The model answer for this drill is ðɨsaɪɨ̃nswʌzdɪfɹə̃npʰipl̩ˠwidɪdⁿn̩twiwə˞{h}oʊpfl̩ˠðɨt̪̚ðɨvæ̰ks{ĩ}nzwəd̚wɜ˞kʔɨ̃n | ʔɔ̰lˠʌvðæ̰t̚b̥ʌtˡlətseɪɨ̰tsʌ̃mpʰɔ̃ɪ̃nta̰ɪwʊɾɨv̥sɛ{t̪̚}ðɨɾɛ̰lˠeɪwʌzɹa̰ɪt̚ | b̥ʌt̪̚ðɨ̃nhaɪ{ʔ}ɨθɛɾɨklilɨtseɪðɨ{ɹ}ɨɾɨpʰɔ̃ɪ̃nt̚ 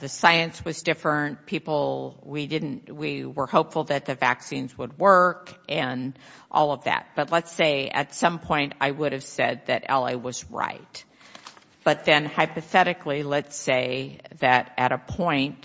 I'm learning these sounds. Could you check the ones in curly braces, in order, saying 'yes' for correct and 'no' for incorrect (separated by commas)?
yes, yes, no, no, no